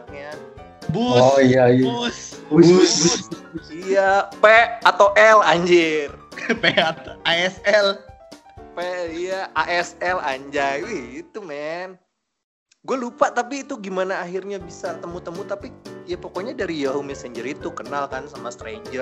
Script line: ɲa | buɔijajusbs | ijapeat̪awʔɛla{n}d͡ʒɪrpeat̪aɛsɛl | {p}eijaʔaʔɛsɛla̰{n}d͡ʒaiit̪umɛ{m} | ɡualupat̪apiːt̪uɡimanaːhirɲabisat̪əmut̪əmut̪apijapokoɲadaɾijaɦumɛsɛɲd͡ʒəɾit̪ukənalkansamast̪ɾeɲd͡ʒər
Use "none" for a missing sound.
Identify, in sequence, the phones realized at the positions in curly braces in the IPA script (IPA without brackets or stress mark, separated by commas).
ɲ, p, ɲ, n